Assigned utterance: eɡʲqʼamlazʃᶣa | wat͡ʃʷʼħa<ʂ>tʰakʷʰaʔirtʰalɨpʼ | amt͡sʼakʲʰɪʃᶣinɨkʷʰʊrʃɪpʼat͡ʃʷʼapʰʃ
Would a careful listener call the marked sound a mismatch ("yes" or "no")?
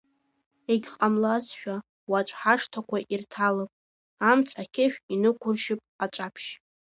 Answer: no